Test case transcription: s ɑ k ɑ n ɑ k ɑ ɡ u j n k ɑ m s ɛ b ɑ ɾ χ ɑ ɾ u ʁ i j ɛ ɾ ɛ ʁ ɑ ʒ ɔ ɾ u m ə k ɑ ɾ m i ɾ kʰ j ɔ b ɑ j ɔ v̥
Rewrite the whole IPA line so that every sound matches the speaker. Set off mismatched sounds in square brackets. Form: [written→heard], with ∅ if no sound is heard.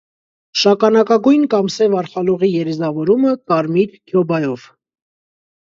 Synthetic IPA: [s→ʃ] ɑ k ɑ n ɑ k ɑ ɡ u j n k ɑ m s ɛ [b→v] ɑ ɾ χ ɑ [ɾ→l] u ʁ i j ɛ ɾ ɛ [ʁ→z] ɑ [ʒ→v] ɔ ɾ u m ə k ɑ ɾ m i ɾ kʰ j ɔ b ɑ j ɔ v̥